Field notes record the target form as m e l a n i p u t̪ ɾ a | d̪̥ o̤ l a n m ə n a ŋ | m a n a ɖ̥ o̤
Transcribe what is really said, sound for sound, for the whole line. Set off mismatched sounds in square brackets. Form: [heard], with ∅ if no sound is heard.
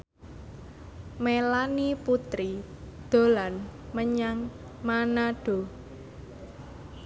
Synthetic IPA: m e l a n i p u t̪ ɾ [i] | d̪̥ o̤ l a n m ə [ɲ] a ŋ | m a n a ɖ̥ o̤